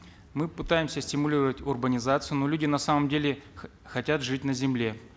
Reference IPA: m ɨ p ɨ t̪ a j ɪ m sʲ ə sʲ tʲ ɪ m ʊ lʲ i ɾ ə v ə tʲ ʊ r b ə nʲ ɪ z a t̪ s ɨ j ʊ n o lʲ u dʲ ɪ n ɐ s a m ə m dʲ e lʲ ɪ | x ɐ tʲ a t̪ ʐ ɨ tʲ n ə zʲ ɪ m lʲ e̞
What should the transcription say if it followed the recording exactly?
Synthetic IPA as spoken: m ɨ p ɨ t̪ a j ɪ m sʲ ə sʲ tʲ ɪ m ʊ lʲ i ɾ ə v ə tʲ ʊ r b ə nʲ ɪ z a t̪ s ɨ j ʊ n o lʲ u dʲ ɪ n ɐ s a m ə m dʲ e lʲ ɪ | x ɐ tʲ a t̪ ʐ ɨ tʲ n ə zʲ ɪ m lʲ e̞